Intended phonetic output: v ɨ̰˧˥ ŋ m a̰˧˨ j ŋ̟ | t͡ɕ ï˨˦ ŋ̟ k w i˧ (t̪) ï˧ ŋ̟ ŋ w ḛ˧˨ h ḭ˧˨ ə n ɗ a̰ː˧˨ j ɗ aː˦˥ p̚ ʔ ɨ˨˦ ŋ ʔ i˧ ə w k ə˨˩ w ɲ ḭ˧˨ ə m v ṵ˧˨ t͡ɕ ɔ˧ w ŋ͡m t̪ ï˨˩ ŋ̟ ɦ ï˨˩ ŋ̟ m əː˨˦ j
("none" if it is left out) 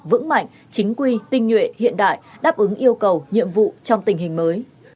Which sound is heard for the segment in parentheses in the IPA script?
t̪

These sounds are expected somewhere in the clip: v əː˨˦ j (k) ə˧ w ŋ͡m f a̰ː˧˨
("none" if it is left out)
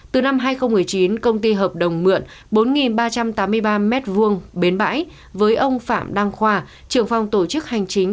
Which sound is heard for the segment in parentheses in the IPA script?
ʔ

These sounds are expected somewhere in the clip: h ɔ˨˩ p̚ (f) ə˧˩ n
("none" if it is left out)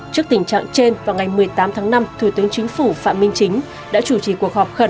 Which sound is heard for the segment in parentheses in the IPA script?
x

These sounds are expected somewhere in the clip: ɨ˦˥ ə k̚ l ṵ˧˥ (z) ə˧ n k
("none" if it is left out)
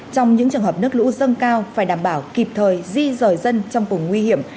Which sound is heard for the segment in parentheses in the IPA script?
z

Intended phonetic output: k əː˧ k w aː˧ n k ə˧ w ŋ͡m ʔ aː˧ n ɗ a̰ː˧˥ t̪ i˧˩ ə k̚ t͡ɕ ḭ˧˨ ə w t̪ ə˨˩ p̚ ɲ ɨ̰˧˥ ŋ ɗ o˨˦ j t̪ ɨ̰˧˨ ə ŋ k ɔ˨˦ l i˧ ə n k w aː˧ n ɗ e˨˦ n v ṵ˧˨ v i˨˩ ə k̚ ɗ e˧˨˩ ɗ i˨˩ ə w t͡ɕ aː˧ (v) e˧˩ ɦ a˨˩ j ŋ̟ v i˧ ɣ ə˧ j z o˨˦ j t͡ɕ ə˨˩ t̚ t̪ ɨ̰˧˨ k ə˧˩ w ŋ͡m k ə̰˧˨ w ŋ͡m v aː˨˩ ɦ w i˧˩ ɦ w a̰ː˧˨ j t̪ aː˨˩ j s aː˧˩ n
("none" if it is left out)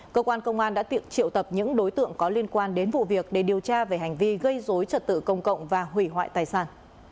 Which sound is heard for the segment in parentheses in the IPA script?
v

